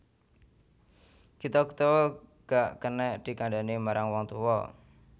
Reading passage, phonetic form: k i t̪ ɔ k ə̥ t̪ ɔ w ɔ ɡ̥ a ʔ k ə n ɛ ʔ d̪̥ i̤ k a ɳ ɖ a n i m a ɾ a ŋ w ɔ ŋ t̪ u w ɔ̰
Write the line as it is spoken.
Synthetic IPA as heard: k i t̪ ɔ k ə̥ t̪ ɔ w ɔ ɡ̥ a ʔ k ə n ɛ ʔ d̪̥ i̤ k a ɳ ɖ a n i m a ɾ a ŋ w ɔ ŋ t̪ u w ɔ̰